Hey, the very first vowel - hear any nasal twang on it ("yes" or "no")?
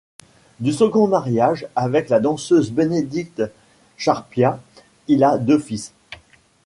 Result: no